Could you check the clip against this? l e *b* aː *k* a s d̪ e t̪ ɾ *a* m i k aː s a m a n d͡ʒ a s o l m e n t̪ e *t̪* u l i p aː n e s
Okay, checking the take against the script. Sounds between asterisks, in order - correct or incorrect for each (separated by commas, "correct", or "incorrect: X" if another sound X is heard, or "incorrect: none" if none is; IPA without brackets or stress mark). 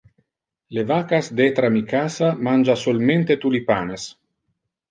incorrect: v, correct, correct, correct